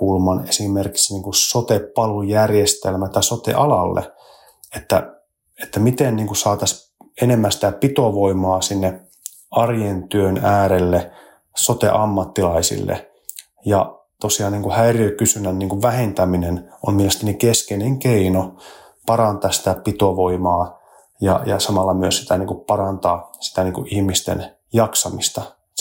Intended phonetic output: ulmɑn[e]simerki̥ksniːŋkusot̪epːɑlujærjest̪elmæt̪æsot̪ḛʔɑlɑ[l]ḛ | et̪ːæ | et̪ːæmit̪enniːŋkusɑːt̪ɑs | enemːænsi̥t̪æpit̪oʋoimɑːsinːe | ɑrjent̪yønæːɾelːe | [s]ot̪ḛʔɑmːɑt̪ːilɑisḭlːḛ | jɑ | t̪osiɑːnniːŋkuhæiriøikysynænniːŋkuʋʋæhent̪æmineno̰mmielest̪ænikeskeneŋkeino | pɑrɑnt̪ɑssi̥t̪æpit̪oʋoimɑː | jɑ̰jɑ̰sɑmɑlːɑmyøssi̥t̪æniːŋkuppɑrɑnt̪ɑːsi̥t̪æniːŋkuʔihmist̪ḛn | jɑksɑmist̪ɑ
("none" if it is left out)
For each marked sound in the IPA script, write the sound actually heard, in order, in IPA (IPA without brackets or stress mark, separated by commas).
e, lː, s